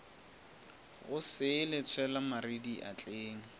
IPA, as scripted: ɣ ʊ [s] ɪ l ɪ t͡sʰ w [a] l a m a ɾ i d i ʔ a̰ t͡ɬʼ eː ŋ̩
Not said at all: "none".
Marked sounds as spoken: s, ɛ

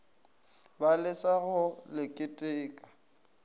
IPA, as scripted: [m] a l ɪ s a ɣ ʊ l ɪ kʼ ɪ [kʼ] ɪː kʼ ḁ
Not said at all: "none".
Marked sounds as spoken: b, tʼ

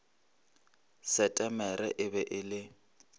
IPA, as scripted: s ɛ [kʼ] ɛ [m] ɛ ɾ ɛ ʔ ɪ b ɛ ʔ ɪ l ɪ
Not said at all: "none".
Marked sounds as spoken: tʼ, m

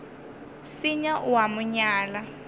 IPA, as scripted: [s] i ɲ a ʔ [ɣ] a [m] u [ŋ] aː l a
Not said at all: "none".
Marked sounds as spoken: s, w, m, ɲ

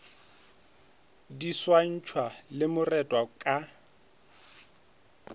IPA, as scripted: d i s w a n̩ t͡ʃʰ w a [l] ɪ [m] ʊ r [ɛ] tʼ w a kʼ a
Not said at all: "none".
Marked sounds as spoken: l, m, ɛ

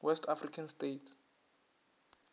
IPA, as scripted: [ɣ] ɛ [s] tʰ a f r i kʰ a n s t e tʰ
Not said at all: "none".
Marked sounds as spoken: w, s

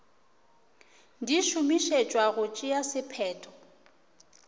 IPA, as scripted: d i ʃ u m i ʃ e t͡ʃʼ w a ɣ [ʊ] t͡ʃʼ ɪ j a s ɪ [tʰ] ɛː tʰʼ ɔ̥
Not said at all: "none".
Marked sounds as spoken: ʊ, pʰ

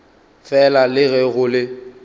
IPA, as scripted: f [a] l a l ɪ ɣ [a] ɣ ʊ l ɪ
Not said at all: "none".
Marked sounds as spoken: ɛ, ɛ

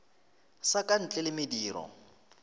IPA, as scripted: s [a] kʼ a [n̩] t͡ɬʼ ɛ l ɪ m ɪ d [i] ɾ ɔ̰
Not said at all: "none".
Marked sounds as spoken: a, n̩, iː

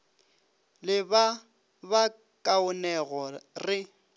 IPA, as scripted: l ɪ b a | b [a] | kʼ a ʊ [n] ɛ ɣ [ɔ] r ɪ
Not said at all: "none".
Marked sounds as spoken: a, n, ɔ

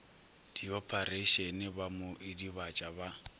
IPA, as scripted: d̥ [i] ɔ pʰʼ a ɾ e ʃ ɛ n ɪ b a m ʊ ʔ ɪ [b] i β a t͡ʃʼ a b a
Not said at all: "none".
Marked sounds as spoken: i, d

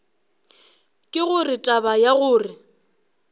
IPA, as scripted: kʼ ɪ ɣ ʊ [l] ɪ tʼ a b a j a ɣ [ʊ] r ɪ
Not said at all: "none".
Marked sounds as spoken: r, ʊː

